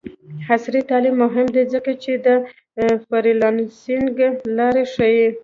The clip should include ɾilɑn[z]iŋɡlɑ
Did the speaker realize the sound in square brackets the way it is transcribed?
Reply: no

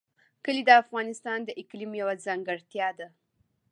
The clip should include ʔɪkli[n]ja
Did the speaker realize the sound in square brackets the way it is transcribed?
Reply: no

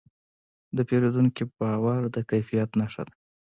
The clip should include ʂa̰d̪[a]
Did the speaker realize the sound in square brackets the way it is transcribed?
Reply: yes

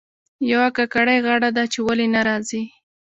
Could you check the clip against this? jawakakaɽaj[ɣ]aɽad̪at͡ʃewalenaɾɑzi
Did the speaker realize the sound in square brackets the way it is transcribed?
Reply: yes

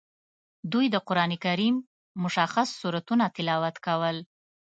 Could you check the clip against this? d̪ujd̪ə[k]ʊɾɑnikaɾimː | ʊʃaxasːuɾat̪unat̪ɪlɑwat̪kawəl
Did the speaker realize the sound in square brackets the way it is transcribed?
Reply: no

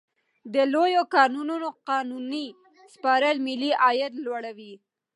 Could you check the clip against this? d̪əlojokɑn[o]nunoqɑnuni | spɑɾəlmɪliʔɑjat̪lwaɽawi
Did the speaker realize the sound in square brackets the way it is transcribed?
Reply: no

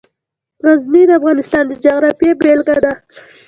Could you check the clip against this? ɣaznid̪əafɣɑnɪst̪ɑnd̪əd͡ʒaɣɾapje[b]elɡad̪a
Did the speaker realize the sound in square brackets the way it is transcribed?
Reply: yes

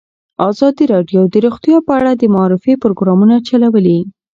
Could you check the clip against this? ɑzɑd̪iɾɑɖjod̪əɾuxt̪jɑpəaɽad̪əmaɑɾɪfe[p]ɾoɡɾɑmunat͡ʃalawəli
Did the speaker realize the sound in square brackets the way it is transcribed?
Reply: yes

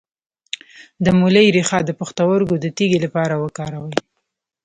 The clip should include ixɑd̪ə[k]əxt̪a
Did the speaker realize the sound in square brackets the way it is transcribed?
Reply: no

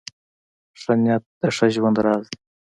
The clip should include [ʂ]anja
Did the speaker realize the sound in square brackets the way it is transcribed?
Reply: yes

